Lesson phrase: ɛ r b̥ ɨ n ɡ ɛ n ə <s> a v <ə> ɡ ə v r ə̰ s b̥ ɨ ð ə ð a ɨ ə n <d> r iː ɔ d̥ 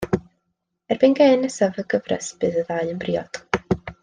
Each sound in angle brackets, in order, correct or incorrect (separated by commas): correct, correct, incorrect